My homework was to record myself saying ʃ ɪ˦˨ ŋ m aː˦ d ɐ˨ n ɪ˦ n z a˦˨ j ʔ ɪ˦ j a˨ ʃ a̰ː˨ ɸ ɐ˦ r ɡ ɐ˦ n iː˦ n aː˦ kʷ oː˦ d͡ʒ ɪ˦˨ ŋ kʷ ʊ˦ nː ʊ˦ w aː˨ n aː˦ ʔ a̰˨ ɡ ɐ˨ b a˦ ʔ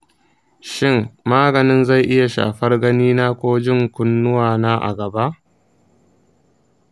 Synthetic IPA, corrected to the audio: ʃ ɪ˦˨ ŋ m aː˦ ɡ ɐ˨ n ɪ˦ n z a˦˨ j ʔ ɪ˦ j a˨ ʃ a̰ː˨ ɸ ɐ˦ r ɡ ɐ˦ n iː˦ n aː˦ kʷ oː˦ d͡ʒ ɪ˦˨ ŋ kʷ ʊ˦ nː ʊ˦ w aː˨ n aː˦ ʔ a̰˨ ɡ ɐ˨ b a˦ ʔ